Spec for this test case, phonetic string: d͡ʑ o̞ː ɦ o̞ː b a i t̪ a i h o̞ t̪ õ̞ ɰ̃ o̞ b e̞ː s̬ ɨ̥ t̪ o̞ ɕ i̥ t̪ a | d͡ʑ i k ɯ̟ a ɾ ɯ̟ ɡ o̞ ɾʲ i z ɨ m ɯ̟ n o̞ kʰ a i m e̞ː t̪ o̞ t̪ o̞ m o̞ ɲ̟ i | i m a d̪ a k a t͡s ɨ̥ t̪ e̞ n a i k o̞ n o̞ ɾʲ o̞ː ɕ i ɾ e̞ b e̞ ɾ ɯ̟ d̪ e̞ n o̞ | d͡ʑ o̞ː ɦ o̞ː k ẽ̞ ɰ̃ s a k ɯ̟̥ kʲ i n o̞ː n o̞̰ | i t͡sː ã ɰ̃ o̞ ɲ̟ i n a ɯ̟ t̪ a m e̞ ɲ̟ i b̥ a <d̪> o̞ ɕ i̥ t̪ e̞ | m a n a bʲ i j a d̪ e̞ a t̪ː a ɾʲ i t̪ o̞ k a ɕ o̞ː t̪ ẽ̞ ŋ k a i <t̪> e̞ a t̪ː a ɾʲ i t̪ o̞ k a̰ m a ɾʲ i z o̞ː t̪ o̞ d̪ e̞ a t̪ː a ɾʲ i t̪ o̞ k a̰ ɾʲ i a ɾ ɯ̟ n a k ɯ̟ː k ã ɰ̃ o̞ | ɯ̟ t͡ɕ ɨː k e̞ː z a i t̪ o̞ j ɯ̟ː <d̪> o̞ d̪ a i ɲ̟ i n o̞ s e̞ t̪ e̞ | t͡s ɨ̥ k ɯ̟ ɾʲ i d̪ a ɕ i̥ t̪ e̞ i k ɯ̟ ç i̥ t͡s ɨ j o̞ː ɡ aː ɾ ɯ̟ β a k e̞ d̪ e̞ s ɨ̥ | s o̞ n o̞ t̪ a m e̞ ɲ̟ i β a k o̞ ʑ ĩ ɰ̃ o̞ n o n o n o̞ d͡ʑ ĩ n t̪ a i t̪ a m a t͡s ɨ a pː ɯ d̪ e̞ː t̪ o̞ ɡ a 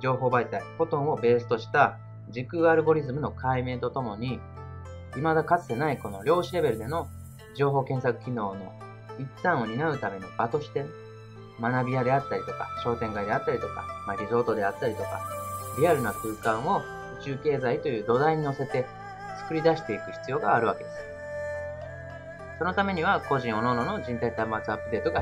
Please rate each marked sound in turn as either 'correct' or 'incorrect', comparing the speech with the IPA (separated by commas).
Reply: incorrect, incorrect, correct